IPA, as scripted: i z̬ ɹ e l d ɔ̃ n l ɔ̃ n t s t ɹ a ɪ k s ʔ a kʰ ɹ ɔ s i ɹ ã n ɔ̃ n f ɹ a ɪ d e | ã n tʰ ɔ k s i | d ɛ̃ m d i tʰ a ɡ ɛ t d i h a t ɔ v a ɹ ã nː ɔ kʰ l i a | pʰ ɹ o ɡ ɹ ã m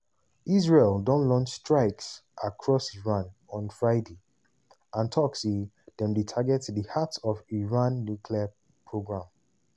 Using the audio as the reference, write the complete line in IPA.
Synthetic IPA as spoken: i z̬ ɹ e l d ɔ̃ n l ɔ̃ n t͡ʃ s t ɹ a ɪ k s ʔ a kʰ ɹ ɔ s i ɹ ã n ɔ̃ n f ɹ a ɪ d e | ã n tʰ ɔ k s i | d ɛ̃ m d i tʰ a ɡ ɛ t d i h a t ɔ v i ɹ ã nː u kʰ l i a | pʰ ɹ o ɡ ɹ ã m